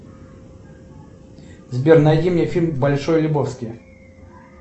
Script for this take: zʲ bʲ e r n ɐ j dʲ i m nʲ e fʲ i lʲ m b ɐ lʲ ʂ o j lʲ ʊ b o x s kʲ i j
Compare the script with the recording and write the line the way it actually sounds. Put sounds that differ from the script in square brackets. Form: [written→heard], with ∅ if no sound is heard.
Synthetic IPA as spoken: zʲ bʲ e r n ɐ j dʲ i m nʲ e fʲ i lʲ m b ɐ lʲ ʂ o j lʲ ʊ b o [x→f] s kʲ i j